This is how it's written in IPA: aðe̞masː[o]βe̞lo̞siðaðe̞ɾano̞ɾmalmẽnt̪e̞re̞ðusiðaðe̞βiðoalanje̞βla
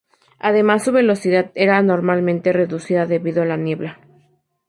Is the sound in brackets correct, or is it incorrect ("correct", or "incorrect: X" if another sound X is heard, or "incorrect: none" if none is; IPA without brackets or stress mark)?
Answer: incorrect: u